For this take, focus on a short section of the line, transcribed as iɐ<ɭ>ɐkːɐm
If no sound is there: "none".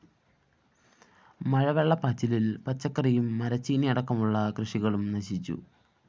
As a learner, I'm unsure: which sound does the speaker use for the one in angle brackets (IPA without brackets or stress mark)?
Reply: ɽ